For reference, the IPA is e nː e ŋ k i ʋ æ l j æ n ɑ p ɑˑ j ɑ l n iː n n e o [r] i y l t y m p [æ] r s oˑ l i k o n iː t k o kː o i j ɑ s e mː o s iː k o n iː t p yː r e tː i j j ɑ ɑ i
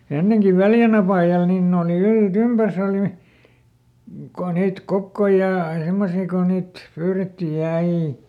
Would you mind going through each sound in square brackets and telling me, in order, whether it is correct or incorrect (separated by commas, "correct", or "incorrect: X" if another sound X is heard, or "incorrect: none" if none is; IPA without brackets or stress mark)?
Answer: incorrect: l, correct